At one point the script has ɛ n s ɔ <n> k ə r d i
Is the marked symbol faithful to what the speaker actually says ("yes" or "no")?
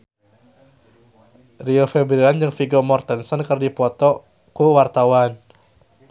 yes